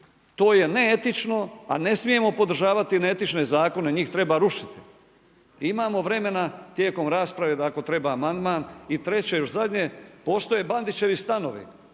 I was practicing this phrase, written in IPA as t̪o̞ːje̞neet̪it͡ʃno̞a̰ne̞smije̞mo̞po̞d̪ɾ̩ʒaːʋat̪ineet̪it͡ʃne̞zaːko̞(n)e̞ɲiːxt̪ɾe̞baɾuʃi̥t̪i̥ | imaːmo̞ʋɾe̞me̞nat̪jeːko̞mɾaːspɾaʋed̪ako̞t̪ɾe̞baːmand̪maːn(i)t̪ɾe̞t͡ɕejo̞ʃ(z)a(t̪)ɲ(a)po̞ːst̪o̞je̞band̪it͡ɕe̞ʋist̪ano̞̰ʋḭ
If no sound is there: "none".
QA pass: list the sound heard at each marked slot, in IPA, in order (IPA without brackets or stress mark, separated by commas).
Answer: n, i, z, d̪, e